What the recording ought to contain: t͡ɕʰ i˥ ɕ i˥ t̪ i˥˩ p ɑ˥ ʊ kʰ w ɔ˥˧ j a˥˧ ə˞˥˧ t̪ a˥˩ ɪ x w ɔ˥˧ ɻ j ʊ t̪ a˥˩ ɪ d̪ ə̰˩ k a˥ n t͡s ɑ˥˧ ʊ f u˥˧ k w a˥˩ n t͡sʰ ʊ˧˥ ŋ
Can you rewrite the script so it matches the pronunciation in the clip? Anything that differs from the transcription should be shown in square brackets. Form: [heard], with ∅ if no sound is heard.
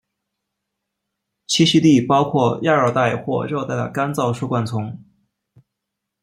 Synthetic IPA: t͡ɕʰ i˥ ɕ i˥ t̪ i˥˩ p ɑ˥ ʊ kʰ w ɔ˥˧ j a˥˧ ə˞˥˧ t̪ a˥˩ ɪ x w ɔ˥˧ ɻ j ʊ t̪ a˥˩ ɪ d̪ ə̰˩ k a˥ n t͡s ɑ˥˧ ʊ [ʂ] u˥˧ k w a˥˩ n t͡sʰ ʊ˧˥ ŋ